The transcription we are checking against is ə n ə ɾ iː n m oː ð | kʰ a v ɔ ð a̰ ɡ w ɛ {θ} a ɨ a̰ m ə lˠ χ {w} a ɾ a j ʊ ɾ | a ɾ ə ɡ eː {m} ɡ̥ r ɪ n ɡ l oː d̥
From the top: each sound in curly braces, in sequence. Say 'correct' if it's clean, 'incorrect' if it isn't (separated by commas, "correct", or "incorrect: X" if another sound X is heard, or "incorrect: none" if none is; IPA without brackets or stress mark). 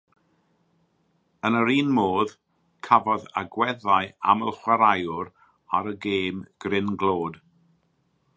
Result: incorrect: ð, correct, correct